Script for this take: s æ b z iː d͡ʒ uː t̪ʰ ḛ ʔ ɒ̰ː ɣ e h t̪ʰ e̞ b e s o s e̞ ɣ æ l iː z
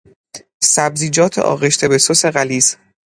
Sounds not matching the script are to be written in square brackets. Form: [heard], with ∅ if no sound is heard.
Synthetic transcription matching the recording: s æ b z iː d͡ʒ [ɒː] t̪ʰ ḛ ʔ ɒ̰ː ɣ e [ʃ] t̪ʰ e̞ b e s o s e̞ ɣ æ l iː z